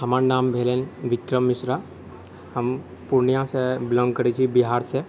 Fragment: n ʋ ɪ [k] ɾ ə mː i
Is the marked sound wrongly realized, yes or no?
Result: no